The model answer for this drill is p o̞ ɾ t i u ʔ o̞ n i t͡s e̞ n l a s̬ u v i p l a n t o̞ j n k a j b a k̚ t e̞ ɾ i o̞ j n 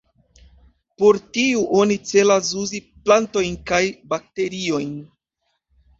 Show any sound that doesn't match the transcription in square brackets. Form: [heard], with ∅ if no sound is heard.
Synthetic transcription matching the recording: p o̞ ɾ t i u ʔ o̞ n i t͡s e̞ [∅] l a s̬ u [z] i p l a n t o̞ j n k a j b a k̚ t e̞ ɾ i o̞ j n